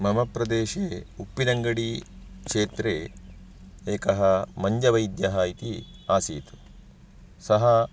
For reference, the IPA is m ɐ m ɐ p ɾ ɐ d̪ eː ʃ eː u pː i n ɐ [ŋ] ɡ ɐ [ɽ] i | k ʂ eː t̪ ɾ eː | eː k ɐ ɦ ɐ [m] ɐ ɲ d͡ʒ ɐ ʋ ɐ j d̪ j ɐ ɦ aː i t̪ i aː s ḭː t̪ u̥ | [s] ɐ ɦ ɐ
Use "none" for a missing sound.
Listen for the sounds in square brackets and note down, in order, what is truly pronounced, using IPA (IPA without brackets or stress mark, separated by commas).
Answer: ŋ, ɽ, m, s